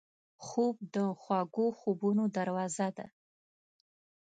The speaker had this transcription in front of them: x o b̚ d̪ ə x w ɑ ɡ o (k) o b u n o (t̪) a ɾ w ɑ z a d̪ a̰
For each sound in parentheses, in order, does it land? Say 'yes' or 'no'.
no, no

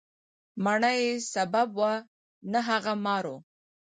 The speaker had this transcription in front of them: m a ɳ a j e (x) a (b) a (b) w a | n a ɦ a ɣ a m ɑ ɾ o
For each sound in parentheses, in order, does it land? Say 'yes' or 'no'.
no, yes, yes

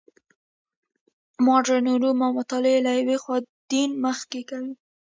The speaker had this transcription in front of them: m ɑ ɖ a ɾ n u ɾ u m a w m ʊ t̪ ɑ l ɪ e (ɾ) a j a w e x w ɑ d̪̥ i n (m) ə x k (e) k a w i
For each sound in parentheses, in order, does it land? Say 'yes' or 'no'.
no, yes, yes

